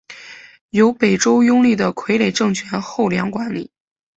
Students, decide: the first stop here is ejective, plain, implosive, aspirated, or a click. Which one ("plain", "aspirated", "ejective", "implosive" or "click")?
plain